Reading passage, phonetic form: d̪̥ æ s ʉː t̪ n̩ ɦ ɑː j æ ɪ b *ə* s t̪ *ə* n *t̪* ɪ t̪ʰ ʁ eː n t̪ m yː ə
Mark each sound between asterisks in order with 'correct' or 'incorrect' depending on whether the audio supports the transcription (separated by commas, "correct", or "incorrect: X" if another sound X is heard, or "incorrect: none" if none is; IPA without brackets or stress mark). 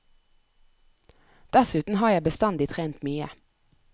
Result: correct, incorrect: ɑ, incorrect: d̪